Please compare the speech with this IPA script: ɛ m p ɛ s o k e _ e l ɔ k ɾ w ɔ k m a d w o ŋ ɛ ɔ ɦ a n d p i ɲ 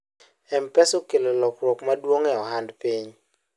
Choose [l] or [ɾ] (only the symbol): l